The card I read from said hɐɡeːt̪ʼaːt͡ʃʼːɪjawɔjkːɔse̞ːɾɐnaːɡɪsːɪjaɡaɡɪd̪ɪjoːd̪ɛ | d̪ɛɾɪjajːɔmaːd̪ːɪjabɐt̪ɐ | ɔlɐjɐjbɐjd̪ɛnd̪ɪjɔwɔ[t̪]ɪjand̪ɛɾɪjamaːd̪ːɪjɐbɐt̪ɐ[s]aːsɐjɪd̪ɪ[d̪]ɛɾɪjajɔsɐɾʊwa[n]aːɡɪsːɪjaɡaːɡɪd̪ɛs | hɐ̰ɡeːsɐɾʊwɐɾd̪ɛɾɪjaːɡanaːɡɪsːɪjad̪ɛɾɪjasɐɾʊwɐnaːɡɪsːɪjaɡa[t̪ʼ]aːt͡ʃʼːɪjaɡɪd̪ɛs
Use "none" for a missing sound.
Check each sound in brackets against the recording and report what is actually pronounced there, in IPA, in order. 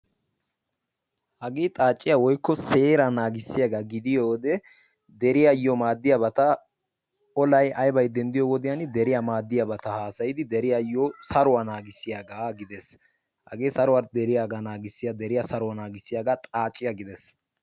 d̪, h, d̪, n, t̪ʼ

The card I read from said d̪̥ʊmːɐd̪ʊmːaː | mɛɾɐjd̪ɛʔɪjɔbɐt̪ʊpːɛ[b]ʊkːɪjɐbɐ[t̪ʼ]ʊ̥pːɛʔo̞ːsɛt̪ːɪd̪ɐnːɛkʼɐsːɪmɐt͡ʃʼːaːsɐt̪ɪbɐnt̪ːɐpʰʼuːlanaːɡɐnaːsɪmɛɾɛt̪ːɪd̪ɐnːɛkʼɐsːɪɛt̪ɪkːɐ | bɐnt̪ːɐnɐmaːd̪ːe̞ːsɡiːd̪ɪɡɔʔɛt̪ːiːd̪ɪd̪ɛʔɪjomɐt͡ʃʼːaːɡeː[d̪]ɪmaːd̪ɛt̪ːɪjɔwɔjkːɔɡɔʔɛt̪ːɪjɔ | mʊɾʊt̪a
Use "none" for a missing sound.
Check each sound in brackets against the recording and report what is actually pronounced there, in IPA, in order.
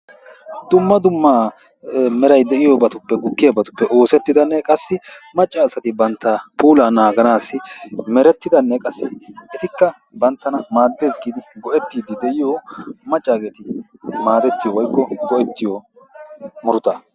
ɡ, t̪, t̪

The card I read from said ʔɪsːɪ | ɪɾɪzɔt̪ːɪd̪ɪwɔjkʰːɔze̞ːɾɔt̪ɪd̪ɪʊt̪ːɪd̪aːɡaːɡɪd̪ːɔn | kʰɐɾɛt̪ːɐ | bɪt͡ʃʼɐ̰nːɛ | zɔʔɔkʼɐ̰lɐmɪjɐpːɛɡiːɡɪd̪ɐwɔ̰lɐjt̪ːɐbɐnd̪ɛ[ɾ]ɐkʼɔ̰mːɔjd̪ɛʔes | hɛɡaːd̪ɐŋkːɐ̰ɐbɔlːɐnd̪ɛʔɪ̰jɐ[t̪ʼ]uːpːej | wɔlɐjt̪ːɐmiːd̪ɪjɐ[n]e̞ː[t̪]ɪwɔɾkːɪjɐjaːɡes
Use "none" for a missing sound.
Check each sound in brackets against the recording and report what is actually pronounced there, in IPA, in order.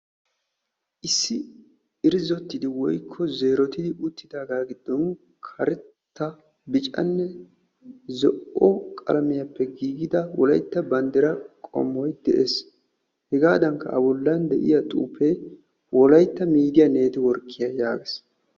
ɾ, t̪ʼ, n, t̪

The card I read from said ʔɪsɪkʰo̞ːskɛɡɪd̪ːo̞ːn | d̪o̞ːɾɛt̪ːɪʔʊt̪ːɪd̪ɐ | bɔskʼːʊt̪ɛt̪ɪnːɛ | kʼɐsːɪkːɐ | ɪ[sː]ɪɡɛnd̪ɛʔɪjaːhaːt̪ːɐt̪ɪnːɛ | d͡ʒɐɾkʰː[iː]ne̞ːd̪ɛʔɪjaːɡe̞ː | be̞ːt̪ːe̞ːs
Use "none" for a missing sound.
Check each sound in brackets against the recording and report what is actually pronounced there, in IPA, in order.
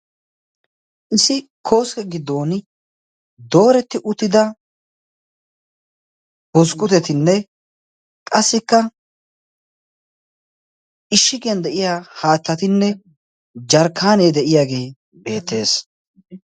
ʃː, aː

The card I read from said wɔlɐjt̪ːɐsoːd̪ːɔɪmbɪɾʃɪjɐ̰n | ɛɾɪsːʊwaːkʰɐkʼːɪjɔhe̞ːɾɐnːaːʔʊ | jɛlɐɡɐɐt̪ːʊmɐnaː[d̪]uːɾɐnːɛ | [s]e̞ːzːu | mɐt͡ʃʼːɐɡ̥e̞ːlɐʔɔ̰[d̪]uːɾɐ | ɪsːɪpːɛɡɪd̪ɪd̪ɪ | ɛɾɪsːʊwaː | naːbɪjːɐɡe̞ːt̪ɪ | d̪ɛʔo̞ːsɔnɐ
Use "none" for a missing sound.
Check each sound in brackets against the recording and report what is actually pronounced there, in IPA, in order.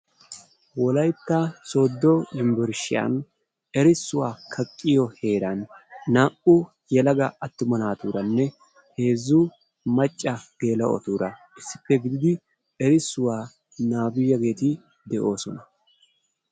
t̪, h, t̪

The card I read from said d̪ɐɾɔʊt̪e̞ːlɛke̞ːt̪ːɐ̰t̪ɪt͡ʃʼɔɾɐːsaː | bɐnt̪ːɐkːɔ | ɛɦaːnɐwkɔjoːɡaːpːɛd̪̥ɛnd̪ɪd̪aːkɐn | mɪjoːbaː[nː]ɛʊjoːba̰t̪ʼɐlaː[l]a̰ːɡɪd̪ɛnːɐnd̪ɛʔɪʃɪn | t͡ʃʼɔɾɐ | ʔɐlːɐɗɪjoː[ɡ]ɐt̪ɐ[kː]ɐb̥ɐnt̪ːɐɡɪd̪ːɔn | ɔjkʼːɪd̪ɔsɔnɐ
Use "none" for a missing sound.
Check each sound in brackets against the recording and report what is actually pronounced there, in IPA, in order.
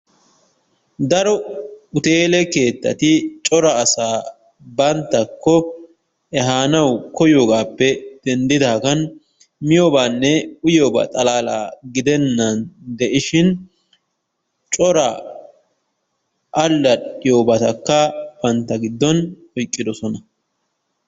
nː, l, b, kː

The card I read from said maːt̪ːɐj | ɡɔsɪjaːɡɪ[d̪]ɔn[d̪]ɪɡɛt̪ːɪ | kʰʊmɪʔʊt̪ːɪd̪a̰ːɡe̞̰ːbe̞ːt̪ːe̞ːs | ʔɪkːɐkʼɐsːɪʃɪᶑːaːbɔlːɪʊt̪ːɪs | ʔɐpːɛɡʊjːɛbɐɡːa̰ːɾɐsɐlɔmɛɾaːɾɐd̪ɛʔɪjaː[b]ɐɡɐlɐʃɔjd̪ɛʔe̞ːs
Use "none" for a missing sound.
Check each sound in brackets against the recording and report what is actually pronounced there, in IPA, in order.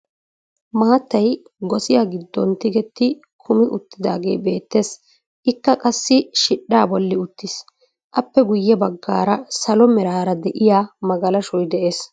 d̪ː, t̪, m

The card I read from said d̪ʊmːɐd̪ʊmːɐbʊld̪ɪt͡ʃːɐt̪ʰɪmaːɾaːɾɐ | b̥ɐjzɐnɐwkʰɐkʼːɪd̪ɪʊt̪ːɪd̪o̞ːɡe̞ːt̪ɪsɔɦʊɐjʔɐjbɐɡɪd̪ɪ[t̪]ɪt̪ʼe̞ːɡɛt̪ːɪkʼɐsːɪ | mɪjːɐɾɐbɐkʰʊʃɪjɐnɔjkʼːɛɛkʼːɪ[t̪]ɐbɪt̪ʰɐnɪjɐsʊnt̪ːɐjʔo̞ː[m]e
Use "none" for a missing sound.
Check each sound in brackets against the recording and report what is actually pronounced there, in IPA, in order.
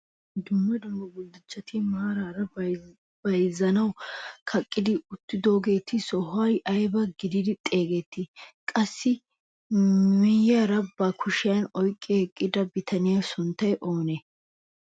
d̪, d̪, n

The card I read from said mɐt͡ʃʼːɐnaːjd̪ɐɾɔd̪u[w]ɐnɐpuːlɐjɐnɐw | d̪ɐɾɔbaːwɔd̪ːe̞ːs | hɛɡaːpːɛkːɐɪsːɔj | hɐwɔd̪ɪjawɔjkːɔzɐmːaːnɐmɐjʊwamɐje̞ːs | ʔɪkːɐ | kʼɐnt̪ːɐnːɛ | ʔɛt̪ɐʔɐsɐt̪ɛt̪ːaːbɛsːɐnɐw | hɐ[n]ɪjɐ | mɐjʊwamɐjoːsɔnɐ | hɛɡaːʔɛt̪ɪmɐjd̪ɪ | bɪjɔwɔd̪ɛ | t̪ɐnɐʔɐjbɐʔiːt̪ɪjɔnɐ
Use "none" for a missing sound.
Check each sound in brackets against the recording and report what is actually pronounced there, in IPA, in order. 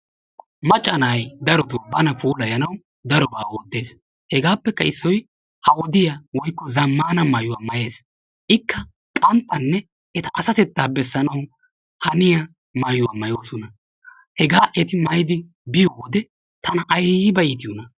b, n

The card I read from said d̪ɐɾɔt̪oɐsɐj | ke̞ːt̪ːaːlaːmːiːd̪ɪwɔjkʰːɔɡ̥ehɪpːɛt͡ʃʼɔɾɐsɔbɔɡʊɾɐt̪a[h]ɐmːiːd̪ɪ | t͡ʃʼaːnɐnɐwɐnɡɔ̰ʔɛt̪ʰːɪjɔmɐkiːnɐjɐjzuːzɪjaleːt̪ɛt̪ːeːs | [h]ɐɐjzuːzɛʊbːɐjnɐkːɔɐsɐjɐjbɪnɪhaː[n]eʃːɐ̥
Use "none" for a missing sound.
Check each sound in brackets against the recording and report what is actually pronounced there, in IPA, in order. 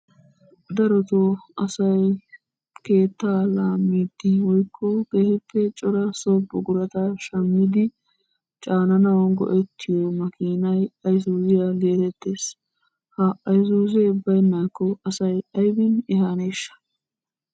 ʃ, h, n

